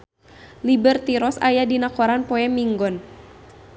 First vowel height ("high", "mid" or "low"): high